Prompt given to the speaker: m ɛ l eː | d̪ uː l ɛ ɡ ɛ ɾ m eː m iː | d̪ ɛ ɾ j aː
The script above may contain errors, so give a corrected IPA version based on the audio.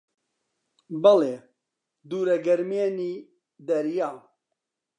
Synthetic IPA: b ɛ l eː | d̪ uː ɾ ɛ ɡ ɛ ɾ m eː n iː | d̪ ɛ ɾ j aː